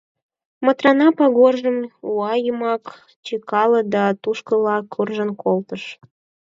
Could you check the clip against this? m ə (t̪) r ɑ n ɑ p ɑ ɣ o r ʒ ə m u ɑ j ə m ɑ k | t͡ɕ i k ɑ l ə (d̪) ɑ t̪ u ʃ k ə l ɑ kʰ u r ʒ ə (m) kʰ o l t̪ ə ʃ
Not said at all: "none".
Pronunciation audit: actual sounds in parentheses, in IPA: t̪, d̪, n

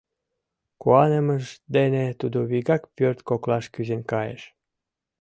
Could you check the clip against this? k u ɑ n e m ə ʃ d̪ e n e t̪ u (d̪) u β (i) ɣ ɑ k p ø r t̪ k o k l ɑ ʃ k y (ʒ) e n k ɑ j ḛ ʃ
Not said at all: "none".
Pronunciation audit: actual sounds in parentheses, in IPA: d̪, i, z

